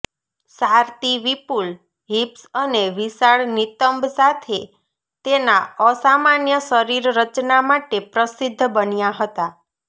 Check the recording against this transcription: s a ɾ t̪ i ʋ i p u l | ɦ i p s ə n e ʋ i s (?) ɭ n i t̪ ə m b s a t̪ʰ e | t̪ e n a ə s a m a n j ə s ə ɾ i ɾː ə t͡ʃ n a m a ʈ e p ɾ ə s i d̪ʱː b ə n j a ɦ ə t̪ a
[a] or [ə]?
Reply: a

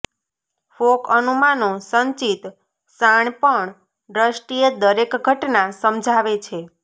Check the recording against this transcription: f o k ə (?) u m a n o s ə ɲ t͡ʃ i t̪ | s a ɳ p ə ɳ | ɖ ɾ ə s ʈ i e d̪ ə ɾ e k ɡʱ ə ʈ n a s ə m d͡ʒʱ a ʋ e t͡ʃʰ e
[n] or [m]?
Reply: n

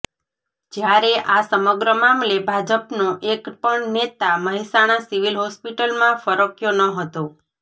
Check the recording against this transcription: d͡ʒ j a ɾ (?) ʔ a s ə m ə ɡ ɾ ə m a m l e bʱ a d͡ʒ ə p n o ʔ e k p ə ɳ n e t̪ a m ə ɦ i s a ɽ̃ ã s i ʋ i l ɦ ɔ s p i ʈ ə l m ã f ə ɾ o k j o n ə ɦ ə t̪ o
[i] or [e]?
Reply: e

